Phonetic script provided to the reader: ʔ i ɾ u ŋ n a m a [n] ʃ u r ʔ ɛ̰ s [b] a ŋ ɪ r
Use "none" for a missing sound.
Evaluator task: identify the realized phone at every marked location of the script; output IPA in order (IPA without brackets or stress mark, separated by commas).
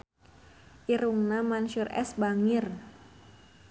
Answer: n, b